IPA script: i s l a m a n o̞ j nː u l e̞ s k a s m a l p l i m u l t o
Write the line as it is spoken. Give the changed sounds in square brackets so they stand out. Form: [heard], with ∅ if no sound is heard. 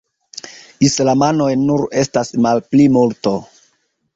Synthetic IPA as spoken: i s l a m a n o̞ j [n] u [ɾ] e̞ s [t] a s m a l p l i m u l t o